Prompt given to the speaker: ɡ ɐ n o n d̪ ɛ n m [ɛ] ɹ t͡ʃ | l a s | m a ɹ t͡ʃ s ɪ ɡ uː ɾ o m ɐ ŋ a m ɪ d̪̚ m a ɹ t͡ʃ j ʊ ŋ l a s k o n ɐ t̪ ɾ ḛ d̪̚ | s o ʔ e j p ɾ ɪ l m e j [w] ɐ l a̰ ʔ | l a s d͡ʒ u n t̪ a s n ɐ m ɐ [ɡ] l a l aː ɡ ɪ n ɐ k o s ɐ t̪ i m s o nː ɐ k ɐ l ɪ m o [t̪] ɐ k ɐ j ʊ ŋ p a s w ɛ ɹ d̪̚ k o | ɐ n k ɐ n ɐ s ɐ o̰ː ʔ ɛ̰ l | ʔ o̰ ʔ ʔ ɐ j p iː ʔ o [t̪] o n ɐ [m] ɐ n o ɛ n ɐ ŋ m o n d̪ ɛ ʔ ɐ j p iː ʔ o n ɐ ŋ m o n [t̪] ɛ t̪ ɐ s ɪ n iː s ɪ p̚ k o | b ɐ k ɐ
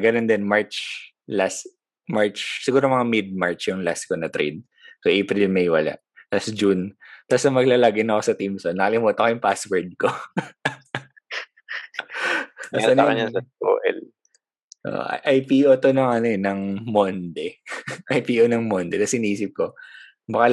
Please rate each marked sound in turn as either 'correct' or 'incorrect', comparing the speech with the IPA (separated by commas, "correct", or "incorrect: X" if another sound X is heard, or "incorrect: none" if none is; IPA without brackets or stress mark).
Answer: incorrect: a, correct, correct, correct, correct, incorrect: ŋ, incorrect: d̪